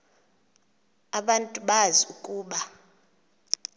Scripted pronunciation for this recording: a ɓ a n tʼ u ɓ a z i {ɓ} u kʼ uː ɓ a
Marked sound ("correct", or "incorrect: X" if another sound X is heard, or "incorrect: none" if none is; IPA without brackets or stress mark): incorrect: none